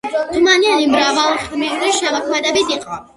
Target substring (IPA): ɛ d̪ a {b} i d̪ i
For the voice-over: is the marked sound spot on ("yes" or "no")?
yes